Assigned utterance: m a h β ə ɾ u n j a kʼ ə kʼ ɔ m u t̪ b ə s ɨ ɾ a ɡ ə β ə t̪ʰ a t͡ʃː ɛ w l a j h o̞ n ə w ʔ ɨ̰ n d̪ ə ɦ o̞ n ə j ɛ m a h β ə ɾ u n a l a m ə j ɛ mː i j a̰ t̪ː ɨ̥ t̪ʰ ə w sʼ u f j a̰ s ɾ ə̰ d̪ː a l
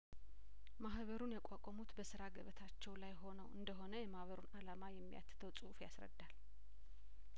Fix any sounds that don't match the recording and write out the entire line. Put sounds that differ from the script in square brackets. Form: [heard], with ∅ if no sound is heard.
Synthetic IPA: m a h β ə ɾ u n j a kʼ [a] kʼ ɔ m u t̪ b ə s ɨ ɾ a ɡ ə β ə t̪ʰ a t͡ʃː ɛ w l a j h o̞ n ə w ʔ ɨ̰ n d̪ ə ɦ o̞ n ə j ɛ m a h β ə ɾ u n a l a m [a] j ɛ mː i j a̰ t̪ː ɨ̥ t̪ʰ ə w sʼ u f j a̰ s ɾ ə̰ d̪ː a l